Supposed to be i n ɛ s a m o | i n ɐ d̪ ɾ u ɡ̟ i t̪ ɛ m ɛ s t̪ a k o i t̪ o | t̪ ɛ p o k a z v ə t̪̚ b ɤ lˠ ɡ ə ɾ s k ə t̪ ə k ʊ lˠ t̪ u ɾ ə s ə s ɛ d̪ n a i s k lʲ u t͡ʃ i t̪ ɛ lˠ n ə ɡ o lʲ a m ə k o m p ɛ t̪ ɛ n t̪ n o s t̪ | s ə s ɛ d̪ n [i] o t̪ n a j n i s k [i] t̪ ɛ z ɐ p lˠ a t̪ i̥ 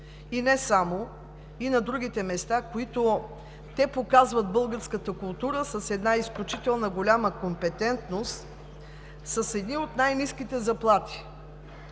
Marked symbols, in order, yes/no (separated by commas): yes, yes